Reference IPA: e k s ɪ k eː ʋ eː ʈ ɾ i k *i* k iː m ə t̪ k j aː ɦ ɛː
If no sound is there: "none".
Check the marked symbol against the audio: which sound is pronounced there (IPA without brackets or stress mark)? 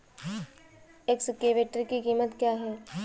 i